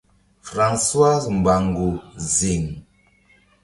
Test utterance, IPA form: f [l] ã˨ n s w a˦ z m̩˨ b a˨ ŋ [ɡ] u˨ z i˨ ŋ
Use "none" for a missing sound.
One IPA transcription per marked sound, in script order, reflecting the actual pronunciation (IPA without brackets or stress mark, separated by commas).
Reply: ɾ, ɡ